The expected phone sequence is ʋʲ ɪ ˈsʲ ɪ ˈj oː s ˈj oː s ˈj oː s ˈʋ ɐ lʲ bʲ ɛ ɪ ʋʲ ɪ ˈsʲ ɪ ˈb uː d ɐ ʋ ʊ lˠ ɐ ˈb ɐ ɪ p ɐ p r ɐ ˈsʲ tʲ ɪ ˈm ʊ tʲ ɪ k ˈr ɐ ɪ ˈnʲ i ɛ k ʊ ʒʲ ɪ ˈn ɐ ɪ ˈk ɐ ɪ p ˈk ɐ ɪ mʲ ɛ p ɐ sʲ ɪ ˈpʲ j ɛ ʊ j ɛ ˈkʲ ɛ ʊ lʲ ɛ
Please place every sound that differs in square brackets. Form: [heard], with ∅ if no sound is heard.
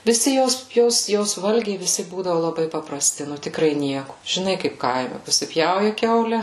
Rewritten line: ʋʲ ɪ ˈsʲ ɪ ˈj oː s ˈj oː s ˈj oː s ˈʋ ɐ lʲ [ɡʲ] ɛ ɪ ʋʲ ɪ ˈsʲ ɪ ˈb uː d ɐ ʋ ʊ lˠ ɐ ˈb ɐ ɪ p ɐ p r ɐ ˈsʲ tʲ ɪ [ˈn] ʊ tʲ ɪ k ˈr ɐ ɪ ˈnʲ i ɛ k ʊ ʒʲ ɪ ˈn ɐ ɪ ˈk ɐ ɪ p ˈk ɐ ɪ mʲ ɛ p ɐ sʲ ɪ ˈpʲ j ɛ ʊ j ɛ ˈkʲ ɛ ʊ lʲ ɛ